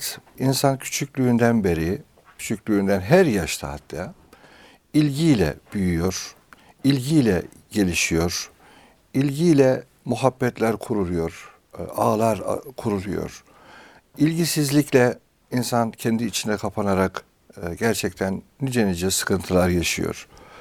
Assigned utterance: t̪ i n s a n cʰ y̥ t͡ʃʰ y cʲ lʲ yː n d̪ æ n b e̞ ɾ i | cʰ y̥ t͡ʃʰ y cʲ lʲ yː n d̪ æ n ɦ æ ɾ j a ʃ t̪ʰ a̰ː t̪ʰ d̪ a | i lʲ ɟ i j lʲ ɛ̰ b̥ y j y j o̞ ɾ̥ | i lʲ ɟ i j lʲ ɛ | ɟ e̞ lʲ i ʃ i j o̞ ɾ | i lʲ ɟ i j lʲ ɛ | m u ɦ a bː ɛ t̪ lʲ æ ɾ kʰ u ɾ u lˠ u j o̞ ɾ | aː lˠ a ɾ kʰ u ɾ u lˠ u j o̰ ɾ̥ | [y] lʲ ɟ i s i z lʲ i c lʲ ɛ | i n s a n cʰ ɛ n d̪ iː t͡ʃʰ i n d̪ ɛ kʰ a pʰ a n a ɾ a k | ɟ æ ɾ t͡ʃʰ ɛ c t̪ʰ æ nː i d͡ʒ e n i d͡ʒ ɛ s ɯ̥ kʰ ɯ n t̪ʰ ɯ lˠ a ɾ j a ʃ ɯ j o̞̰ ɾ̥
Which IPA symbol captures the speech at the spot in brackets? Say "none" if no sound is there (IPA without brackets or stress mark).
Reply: i